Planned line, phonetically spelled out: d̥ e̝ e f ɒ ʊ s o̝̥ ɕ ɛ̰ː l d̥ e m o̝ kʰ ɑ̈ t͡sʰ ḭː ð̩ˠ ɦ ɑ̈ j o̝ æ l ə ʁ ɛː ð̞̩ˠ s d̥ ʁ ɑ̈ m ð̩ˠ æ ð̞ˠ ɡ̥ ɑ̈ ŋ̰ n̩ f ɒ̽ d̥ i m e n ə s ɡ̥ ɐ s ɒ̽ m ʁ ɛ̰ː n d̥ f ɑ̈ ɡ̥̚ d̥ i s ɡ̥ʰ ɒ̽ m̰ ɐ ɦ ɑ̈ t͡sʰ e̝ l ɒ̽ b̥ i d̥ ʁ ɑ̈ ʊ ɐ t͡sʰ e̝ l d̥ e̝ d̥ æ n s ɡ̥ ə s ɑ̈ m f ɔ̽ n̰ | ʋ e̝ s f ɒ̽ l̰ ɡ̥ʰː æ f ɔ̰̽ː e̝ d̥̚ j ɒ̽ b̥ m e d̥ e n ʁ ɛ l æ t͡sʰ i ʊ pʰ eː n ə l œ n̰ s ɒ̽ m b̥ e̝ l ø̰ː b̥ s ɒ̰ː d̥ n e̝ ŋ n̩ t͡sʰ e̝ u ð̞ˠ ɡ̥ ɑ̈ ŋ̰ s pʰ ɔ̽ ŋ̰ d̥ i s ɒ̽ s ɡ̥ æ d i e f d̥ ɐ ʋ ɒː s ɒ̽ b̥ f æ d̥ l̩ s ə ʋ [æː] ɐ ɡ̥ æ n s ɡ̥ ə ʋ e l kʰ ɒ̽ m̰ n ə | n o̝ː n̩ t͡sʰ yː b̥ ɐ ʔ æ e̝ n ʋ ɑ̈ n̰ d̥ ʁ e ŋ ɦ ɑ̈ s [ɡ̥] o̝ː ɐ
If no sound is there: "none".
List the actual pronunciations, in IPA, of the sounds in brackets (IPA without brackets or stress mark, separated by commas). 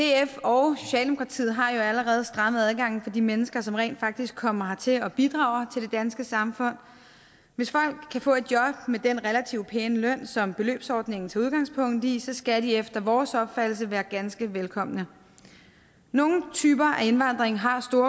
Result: æː, d̥